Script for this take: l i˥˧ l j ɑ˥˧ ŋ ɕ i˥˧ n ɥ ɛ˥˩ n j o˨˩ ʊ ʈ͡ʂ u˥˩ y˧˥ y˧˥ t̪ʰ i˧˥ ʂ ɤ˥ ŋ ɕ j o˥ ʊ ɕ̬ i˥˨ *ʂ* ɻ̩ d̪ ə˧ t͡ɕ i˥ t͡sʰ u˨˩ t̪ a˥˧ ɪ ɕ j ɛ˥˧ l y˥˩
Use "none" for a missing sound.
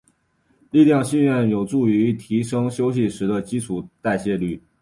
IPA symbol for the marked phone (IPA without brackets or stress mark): ʂ